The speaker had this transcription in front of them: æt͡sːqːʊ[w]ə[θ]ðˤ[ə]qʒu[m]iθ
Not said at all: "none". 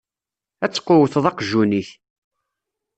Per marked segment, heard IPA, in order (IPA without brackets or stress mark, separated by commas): w, θ, ɑ, n